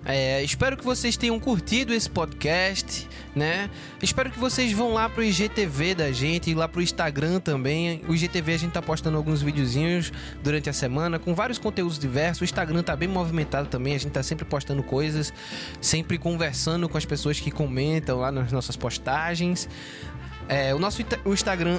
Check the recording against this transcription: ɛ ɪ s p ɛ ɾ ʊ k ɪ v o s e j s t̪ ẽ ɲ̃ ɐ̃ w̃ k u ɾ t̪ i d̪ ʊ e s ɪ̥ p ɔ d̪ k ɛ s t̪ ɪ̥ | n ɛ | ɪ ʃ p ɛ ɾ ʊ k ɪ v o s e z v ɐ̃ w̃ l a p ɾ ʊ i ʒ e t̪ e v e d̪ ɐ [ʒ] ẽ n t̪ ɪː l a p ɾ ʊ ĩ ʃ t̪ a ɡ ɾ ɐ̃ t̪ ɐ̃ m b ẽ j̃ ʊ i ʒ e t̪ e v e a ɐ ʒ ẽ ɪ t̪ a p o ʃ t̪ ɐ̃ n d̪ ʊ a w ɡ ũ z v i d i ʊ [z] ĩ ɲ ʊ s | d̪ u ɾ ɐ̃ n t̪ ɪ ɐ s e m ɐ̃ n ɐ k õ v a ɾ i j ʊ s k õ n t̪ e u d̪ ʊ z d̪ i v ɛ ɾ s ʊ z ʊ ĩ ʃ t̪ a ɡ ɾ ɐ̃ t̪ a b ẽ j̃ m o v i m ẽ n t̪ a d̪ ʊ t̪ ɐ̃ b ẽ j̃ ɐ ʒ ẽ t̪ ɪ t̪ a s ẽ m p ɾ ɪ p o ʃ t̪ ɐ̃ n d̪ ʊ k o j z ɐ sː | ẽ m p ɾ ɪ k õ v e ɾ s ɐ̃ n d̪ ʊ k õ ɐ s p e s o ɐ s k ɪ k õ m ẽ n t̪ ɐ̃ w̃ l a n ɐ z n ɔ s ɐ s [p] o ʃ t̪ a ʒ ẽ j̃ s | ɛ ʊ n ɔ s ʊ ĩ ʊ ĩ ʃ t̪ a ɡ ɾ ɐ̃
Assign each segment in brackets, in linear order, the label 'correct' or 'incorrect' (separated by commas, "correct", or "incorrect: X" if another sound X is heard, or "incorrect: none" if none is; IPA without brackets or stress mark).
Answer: correct, correct, correct